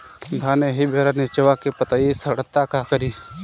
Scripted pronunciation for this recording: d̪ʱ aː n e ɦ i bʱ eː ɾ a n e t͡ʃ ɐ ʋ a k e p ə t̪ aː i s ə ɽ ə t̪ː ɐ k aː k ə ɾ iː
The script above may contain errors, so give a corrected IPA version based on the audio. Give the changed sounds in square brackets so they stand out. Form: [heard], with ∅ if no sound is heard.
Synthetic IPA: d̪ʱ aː n e ɦ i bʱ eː ɾ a n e t͡ʃ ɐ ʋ a k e p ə t̪ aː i s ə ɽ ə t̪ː [a] k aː k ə ɾ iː